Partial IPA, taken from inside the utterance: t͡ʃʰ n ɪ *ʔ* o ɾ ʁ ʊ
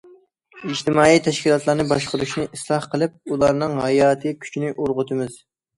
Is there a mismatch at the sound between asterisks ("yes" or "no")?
no